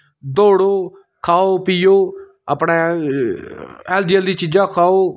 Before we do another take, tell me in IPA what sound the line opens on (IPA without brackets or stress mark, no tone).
d̪